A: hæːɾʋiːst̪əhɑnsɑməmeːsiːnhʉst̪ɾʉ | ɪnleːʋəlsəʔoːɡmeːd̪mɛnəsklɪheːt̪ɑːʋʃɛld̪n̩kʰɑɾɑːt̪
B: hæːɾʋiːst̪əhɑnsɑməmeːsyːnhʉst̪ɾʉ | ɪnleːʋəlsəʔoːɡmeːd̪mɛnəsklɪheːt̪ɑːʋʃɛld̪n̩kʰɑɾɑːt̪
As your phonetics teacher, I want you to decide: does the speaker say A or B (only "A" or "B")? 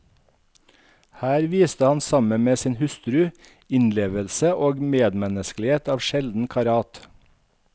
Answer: A